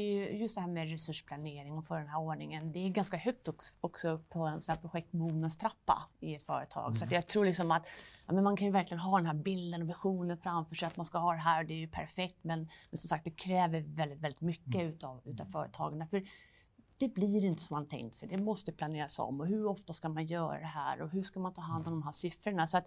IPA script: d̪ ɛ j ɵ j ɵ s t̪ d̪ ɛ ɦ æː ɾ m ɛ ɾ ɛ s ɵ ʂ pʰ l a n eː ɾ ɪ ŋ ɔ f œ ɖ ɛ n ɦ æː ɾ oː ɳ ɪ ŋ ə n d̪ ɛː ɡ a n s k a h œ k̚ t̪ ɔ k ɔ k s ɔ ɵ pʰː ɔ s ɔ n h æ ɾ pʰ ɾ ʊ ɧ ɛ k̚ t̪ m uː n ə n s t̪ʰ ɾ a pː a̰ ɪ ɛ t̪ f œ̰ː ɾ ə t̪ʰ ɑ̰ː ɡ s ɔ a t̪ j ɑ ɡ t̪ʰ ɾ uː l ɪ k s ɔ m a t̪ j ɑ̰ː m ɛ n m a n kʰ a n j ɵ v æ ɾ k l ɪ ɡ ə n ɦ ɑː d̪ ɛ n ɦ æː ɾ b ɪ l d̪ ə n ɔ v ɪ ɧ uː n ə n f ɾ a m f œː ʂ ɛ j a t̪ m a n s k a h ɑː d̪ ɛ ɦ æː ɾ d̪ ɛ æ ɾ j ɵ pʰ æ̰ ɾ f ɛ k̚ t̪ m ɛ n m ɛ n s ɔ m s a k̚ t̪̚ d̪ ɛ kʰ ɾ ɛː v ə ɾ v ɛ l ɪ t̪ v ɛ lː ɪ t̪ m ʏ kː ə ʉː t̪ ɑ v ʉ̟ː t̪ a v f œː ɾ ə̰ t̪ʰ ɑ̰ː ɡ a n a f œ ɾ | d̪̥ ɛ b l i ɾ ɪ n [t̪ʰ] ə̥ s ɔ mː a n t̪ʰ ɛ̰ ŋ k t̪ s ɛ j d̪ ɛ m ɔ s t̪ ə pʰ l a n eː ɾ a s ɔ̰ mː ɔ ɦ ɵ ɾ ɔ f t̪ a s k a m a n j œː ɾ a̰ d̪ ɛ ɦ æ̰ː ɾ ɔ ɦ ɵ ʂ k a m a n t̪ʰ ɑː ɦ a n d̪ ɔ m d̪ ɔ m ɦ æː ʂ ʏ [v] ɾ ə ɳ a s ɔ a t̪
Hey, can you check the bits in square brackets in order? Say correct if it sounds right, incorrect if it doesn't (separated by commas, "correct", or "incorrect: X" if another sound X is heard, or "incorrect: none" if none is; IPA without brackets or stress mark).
incorrect: t̪, incorrect: f